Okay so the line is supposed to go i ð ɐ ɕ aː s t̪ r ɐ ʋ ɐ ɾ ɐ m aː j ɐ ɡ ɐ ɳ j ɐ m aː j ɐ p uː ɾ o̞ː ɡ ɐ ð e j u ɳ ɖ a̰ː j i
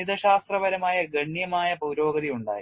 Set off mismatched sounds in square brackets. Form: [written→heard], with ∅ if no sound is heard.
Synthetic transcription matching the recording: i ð ɐ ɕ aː s t̪ r ɐ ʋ ɐ ɾ ɐ m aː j ɐ ɡ ɐ ɳ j ɐ m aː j ɐ p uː ɾ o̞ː ɡ ɐ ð [e→i] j u ɳ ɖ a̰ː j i